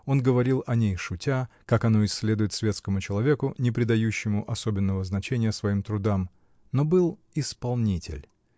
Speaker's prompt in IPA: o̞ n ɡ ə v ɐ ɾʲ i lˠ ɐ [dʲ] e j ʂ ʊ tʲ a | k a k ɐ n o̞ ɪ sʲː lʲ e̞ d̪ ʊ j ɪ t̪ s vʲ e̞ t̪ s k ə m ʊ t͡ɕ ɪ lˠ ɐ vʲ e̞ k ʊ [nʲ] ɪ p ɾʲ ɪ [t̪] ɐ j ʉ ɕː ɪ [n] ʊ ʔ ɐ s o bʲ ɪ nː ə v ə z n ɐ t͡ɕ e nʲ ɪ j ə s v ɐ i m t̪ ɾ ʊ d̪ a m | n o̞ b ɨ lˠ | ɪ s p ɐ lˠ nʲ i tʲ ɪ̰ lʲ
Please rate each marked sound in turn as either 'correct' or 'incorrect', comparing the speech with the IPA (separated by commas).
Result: incorrect, correct, incorrect, incorrect